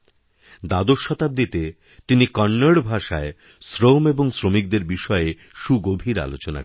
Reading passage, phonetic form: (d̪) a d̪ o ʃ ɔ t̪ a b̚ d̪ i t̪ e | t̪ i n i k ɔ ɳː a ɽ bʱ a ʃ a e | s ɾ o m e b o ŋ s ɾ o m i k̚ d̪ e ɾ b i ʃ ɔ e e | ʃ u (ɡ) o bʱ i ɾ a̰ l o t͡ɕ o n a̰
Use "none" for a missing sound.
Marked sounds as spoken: d̪, ɡ

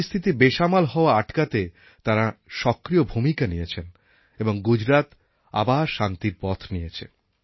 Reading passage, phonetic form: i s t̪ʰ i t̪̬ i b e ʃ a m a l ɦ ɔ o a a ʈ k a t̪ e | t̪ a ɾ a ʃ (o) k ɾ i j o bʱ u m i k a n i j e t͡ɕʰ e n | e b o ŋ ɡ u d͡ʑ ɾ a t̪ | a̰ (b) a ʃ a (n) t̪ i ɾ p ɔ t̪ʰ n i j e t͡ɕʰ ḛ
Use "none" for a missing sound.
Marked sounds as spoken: ɔ, b, n

